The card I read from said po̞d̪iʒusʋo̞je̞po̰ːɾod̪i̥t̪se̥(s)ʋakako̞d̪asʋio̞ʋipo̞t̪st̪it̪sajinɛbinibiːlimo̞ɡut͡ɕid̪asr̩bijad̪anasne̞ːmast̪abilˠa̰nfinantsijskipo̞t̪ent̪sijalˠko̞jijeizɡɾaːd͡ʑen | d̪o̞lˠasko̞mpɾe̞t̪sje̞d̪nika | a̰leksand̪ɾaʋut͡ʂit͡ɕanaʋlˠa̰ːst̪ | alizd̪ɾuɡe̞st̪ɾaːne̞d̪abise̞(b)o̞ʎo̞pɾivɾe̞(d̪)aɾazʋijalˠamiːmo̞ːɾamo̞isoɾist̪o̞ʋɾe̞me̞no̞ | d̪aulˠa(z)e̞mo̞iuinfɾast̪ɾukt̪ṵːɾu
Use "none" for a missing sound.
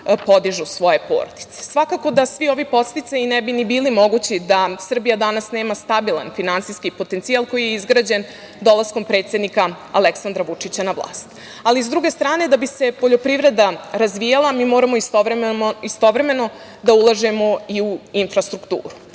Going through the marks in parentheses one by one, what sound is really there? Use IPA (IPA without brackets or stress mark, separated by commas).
s, p, d̪, ʒ